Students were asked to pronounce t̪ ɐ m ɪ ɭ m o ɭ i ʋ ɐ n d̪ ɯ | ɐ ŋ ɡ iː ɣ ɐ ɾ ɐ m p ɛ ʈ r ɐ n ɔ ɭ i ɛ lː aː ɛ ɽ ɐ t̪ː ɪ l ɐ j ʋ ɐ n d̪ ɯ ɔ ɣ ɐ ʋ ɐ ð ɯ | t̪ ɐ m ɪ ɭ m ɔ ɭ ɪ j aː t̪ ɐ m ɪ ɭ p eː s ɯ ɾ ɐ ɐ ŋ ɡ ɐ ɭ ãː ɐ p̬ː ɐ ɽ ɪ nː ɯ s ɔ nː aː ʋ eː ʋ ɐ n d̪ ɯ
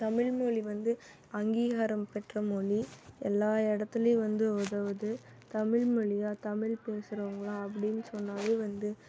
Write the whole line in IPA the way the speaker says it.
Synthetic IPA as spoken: t̪ ɐ m ɪ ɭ m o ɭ i ʋ ɐ n d̪ ɯ | ɐ ŋ ɡ iː ɣ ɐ ɾ ɐ m p ɛ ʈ r ɐ m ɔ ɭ i ɛ lː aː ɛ ɽ ɐ t̪ː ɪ l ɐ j ʋ ɐ n d̪ ɯ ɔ ð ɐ ʋ ɐ ð ɯ | t̪ ɐ m ɪ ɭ m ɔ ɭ ɪ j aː t̪ ɐ m ɪ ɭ p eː s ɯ ɾ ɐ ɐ ŋ ɡ ɐ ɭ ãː ɐ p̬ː ɐ ɽ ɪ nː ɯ s ɔ nː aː ʋ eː ʋ ɐ n d̪ ɯ